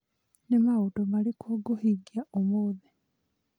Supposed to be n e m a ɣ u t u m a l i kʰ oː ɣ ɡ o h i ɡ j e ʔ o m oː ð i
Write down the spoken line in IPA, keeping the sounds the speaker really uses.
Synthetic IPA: n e m a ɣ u t o m a l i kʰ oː ɡ o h i ɡ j a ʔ o m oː ð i

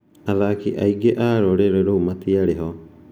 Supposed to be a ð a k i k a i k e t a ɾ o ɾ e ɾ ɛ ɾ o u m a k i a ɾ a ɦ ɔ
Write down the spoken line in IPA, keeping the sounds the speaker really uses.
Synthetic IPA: a ð a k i ʔ a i ɡ e ʔ a ɾ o ɾ e ɾ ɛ ɾ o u m a t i a ɾ e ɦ ɔ

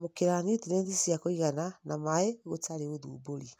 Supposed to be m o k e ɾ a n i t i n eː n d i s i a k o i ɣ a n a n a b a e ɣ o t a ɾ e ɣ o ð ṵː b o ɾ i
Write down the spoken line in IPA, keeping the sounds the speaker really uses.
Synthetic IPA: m o k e ɾ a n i t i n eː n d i s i a k o i ɣ a n a n a m a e ɣ o t a ɾ e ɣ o ð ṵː b o ɾ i

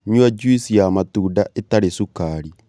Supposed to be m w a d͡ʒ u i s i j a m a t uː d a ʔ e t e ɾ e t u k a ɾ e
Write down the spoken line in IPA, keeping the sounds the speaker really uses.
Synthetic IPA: ɲ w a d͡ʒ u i s i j a m a t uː d a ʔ e t a ɾ e s u k a ɾ i

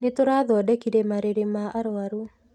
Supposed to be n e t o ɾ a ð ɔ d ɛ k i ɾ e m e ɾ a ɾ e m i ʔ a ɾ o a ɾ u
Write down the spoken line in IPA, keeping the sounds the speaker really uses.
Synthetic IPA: n e t o ɾ a ð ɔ d ɛ k i ɾ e m a ɾ e ɾ e m a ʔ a ɾ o a ɾ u

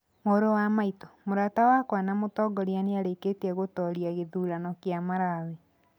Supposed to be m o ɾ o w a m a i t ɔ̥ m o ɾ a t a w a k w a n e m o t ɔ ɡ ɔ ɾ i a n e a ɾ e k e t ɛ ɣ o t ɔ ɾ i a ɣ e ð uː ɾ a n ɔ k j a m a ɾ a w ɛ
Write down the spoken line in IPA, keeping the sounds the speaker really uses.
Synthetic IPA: m o ɾ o w a m a i t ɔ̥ m o ɾ a t a w a k w a n a m o t ɔ ɡ ɔ ɾ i a n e a ɾ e k e t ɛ ɣ o t ɔ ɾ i a ɣ e ð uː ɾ a n ɔ k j a m a ɾ a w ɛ

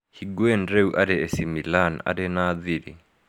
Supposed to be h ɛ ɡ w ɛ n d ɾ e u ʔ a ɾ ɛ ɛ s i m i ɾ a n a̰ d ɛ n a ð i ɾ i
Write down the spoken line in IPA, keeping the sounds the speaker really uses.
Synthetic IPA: h i ɡ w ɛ n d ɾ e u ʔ a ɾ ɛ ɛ s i m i l a n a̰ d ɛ n a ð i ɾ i

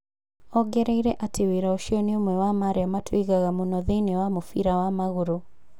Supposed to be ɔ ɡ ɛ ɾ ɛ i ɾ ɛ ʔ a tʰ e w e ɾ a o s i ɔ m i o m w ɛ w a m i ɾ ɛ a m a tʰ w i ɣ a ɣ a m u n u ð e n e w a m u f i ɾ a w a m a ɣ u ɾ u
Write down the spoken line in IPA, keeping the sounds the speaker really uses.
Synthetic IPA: ɔ ɡ ɛ ɾ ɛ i ɾ ɛ ʔ a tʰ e w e ɾ a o ʃ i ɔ n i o m w ɛ w a m a ɾ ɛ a m a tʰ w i ɣ a ɣ a m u n ɔ ð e n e w a m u f i ɾ a w a m a ɣ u ɾ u

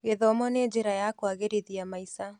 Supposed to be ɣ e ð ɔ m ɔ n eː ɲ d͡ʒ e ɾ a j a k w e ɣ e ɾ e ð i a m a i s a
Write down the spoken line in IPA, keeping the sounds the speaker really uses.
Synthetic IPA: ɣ e ð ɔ m ɔ n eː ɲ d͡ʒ e ɾ a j a k w a ɣ e ɾ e ð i a m a i s a

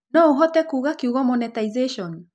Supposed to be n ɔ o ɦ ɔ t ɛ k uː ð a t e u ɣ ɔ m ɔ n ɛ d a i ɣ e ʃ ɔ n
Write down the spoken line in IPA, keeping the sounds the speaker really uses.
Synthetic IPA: n ɔ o ɦ ɔ t ɛ k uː ɣ a k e u ɣ ɔ m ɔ n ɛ t a i z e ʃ ɔ n

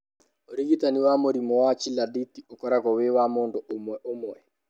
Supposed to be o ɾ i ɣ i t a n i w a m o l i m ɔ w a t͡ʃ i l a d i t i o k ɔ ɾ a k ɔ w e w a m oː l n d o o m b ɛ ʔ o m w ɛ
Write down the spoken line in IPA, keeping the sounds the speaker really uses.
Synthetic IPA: o ɾ i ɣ i t a n i w a m o ɾ i m ɔ w a t͡ʃ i l a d i t i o k ɔ ɾ a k ɔ w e w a m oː n d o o m w ɛ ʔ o m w ɛ

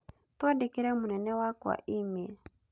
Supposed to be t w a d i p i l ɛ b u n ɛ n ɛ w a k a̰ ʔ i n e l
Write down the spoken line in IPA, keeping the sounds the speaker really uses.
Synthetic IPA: t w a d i k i ɾ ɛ m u n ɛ n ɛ w a k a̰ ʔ i m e l

